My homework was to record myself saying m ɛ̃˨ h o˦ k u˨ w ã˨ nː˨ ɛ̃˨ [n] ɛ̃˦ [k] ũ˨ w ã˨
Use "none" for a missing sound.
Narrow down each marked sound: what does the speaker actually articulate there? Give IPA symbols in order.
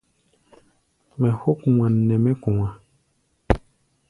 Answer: m, k

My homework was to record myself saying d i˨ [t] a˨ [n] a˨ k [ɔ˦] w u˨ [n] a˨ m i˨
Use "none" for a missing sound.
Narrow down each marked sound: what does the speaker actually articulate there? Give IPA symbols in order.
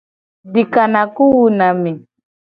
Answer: k, n, u˦, n

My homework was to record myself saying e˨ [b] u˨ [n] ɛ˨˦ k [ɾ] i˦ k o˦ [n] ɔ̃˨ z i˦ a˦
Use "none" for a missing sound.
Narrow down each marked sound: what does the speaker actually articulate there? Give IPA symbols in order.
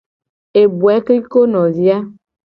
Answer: b, none, l, n

